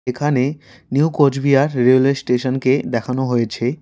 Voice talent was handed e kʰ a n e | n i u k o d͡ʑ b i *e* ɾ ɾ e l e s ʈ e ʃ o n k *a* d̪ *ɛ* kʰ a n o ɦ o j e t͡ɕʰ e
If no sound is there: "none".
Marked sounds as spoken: a, e, ɛ

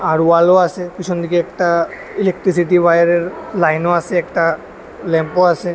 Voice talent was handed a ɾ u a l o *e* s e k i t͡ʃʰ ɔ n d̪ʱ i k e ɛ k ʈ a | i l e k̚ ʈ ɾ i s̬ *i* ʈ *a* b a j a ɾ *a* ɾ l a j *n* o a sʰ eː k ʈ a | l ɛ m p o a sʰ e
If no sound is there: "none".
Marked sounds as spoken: a, i, i, e, n

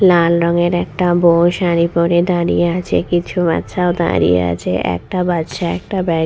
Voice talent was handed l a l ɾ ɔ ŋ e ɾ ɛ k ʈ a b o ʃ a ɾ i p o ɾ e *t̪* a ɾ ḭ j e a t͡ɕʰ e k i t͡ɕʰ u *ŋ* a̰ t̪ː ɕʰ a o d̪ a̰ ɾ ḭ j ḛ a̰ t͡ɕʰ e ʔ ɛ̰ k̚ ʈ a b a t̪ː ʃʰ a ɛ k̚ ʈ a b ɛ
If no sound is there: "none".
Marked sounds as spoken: d̪, m

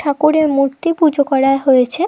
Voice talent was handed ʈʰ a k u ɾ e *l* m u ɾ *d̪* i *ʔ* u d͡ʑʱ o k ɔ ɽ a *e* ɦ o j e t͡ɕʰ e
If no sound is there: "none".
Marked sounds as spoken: ɾ, t̪, p, e

